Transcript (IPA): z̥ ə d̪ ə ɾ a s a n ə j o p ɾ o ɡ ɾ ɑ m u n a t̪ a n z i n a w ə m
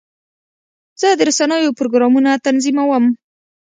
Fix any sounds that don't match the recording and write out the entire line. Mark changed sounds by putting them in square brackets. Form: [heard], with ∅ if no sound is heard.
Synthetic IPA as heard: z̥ ə d̪ ə ɾ a s a n ə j o p ɾ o ɡ ɾ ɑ m u n a t̪ a n z i [m] a w ə m